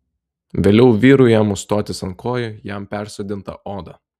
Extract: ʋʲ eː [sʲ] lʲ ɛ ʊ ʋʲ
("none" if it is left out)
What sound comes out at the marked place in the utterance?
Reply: none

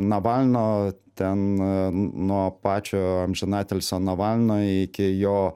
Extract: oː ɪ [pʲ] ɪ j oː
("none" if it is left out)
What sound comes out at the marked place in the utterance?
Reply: kʲ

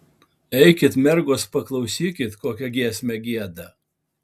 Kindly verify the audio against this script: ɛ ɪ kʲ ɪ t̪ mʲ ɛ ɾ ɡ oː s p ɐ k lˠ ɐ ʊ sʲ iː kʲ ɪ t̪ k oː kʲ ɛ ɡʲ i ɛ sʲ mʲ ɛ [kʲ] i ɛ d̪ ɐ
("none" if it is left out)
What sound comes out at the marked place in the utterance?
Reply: ɡʲ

